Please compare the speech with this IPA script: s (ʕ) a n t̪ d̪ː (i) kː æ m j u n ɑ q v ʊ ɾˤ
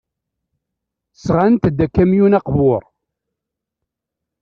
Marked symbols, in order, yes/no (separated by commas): no, no